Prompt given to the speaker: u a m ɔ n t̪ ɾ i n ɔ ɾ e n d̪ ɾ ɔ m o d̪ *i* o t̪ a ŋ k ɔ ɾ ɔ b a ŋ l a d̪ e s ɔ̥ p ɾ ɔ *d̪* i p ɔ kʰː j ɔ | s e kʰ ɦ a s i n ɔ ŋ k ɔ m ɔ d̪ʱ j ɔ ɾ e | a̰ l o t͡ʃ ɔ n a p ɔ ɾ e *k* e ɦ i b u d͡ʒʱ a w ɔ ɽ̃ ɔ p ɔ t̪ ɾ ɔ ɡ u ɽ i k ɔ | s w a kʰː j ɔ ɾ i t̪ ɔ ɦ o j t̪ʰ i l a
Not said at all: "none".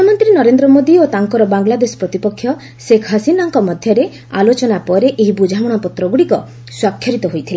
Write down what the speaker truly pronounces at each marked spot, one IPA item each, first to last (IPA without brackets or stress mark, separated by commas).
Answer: i, t̪, ʔ